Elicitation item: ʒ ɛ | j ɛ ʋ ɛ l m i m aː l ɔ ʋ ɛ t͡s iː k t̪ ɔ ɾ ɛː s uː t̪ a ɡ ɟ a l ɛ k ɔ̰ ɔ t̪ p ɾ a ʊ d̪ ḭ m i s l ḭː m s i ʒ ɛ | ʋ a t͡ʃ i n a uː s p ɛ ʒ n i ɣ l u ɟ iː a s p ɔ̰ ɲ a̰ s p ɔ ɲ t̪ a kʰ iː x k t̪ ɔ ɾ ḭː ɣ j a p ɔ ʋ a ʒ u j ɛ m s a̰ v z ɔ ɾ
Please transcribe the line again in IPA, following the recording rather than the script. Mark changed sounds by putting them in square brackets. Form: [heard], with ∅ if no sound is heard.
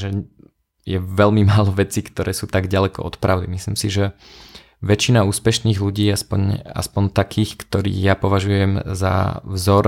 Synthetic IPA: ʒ ɛ | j ɛ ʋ ɛ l m i m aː l ɔ ʋ ɛ t͡s iː k t̪ ɔ ɾ ɛː s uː t̪ a ɡ ɟ a l ɛ k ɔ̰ ɔ t̪ p ɾ a ʊ d̪ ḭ m i s l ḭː m s i ʒ ɛ | ʋ [ɛ] t͡ʃ i n a uː s p ɛ [ʃ] n [iː] ɣ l u ɟ iː a s p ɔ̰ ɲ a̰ s p ɔ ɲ t̪ a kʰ iː x k t̪ ɔ ɾ ḭː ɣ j a p ɔ ʋ a ʒ u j ɛ m [z] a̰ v z ɔ ɾ